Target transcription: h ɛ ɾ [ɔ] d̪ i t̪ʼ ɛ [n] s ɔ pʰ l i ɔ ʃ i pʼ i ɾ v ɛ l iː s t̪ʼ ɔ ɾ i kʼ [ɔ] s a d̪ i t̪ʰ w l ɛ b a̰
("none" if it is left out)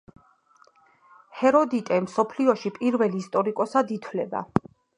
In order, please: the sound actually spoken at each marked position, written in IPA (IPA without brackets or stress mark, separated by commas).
ɔ, m, ɔ